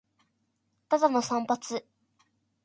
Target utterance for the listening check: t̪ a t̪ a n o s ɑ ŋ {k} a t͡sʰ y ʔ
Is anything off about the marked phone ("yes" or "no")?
yes